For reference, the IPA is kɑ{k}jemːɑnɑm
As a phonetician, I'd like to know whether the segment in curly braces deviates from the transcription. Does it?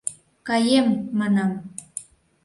yes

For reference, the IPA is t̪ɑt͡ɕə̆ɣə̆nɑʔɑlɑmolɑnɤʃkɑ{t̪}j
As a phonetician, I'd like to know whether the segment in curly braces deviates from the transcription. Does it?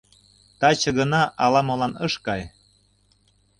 yes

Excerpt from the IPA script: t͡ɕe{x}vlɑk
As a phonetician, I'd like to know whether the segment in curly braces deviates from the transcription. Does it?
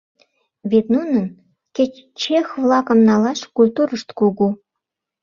no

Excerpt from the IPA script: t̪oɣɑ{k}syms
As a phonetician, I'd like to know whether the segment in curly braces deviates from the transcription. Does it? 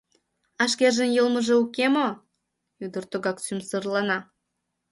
no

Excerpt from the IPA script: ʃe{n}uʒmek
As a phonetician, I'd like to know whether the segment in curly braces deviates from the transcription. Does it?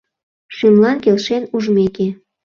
no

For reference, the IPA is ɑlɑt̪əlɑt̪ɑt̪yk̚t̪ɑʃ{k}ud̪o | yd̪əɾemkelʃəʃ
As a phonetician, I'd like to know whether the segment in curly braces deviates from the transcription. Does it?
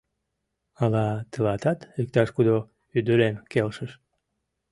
no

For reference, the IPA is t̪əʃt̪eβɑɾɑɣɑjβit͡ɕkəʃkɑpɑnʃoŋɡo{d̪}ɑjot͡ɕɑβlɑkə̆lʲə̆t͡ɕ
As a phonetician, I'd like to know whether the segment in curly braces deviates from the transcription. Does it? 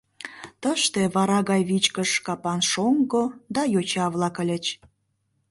no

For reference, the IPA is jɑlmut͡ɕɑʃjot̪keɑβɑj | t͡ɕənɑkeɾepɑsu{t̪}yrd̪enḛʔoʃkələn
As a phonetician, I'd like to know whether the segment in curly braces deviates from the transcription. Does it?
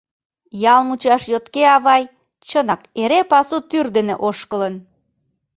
no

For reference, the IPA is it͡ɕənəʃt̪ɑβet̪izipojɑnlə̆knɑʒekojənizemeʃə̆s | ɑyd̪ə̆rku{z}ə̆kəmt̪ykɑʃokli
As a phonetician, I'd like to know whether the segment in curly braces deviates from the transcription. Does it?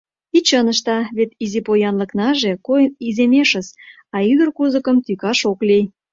no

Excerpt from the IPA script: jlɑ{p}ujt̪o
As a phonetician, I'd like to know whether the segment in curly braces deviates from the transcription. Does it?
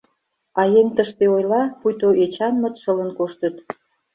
no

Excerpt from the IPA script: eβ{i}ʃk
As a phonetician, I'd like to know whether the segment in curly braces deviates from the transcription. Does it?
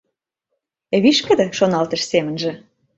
no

